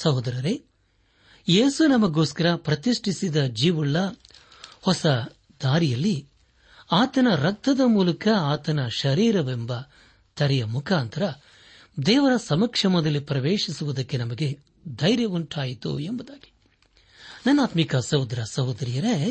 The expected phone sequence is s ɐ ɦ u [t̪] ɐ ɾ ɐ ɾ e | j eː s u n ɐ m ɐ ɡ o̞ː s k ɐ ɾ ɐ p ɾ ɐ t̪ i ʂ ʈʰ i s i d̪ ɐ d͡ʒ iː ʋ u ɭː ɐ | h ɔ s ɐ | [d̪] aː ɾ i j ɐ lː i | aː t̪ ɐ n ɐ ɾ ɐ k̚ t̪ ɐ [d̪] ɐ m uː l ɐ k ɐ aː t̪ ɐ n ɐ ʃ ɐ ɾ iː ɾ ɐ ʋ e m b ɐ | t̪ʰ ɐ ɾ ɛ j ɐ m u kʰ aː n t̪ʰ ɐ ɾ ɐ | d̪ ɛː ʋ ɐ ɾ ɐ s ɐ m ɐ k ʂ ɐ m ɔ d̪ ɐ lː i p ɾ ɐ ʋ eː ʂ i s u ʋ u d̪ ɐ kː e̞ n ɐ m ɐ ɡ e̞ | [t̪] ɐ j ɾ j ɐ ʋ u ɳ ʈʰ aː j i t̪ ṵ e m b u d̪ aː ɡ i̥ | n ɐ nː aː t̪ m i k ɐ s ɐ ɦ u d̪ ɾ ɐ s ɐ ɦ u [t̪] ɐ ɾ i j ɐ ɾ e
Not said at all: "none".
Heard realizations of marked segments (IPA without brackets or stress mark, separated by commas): d̪, d̪, d̪, d̪, d̪